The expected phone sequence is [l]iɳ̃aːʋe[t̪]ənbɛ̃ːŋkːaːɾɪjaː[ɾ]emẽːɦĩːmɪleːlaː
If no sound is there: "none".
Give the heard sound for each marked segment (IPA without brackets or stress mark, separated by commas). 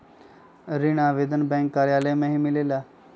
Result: ɾ, d̪, l